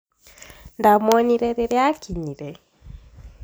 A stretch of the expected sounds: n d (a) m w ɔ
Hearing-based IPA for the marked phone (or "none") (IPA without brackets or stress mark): a